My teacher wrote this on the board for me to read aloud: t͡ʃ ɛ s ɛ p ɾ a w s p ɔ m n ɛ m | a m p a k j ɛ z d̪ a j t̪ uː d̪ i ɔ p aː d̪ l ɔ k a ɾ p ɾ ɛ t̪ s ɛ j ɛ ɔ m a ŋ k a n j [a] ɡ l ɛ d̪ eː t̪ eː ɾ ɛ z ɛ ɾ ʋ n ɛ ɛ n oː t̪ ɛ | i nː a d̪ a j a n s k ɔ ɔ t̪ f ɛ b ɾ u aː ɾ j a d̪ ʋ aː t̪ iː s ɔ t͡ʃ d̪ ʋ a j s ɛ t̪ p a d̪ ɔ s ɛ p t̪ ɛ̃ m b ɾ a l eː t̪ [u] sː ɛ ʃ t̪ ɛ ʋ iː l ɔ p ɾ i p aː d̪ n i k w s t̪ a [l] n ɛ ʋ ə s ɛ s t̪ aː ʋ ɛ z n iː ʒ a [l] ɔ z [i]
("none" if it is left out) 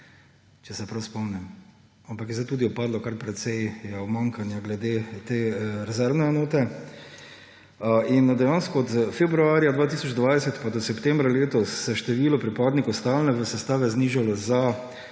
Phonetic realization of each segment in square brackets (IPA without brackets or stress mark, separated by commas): a, ɔ, l, l, a